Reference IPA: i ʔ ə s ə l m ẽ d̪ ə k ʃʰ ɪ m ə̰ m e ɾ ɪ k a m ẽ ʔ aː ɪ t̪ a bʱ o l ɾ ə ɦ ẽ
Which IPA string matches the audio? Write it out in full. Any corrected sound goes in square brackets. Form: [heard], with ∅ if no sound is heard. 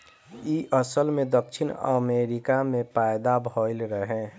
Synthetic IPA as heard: i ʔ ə s ə l m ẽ d̪ ə k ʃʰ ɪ [n] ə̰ m e ɾ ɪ k a m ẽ [p] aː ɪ [d̪] a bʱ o l ɾ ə ɦ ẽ